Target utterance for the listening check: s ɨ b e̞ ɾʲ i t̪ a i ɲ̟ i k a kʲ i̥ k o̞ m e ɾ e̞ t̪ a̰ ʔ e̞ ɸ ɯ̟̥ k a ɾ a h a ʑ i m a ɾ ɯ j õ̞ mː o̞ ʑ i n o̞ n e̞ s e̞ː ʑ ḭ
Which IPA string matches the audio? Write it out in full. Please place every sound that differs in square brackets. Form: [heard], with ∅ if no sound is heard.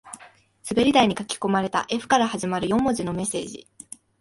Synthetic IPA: s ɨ b e̞ ɾʲ i [d̪] a i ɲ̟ i k a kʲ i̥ k o̞ m [a] ɾ e̞ t̪ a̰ ʔ e̞ ɸ ɯ̟̥ k a ɾ a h a ʑ i m a ɾ ɯ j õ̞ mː o̞ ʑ i n o̞ [m] e̞ s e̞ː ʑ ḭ